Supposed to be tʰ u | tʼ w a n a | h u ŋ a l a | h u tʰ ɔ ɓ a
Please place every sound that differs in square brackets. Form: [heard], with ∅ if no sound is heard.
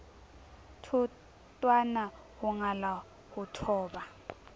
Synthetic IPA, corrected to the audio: tʰ u | tʼ w a n a | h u ŋ a l a | h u tʰ [ɔː] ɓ a